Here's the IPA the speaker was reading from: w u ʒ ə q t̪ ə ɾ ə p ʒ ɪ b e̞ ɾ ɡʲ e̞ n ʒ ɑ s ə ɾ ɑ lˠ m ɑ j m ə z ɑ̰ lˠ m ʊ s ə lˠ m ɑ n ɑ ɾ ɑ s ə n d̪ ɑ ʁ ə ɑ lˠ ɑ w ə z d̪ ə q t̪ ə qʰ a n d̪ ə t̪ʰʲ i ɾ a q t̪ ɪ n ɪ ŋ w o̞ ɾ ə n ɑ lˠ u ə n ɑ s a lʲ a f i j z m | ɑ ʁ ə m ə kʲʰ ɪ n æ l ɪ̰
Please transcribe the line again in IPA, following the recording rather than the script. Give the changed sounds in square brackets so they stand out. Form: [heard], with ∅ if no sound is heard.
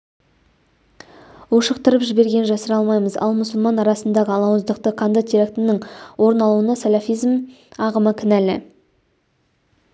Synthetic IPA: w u [ʃ] ə q t̪ ə ɾ ə p ʒ ɪ b e̞ ɾ ɡʲ e̞ n ʒ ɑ s ə ɾ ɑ lˠ m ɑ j m ə z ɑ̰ lˠ m ʊ s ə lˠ m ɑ n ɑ ɾ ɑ s ə n d̪ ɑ ʁ ə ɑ lˠ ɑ w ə z d̪ ə q t̪ ə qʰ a n d̪ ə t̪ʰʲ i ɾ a [k] t̪ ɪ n ɪ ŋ w o̞ ɾ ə n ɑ lˠ u ə n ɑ s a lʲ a f i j z m | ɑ ʁ ə m ə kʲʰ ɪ n æ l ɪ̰